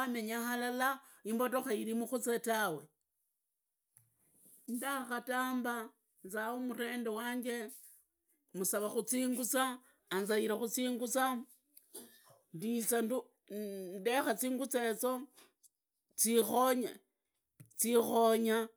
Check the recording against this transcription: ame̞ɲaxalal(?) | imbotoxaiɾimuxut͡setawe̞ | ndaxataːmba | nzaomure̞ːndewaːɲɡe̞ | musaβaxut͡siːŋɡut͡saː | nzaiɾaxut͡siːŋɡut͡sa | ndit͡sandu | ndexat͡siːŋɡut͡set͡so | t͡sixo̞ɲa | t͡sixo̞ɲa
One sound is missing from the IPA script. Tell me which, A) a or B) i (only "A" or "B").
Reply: A